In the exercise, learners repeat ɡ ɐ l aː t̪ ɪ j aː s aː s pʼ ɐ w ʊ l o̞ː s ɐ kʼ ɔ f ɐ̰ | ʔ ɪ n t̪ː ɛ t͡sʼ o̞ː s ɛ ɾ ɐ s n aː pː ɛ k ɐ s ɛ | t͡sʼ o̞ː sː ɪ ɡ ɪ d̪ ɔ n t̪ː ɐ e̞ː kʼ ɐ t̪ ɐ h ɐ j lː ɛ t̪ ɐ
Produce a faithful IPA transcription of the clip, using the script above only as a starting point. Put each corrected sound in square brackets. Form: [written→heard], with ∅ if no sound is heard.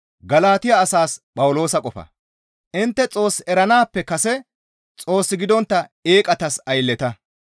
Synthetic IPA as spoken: ɡ ɐ l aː t̪ ɪ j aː s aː s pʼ ɐ w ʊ l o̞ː s ɐ kʼ ɔ f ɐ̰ | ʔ ɪ n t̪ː ɛ t͡sʼ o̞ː s ɛ ɾ ɐ [s→∅] n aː pː ɛ k ɐ s ɛ | t͡sʼ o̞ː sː ɪ ɡ ɪ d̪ ɔ n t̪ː ɐ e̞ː kʼ ɐ t̪ ɐ [h→s] ɐ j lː ɛ t̪ ɐ

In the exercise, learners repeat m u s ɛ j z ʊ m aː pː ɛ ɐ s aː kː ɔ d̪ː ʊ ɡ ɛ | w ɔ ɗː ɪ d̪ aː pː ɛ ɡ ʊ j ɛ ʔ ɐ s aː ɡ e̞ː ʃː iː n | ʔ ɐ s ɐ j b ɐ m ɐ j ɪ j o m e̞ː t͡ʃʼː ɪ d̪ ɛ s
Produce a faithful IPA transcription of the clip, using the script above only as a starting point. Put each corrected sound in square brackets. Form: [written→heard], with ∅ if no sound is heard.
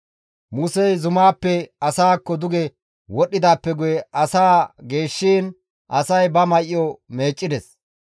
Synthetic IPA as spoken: m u s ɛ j z ʊ m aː pː ɛ ɐ s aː kː ɔ [d̪ː→d̪] ʊ ɡ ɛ | w ɔ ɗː ɪ d̪ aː pː ɛ ɡ ʊ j ɛ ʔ ɐ s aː ɡ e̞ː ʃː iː n | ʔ ɐ s ɐ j b ɐ m ɐ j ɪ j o m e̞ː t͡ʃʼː ɪ d̪ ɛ s

